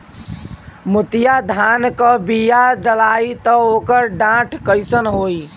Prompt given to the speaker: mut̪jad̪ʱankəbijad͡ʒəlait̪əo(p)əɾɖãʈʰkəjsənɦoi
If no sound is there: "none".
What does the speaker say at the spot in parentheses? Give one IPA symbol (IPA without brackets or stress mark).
k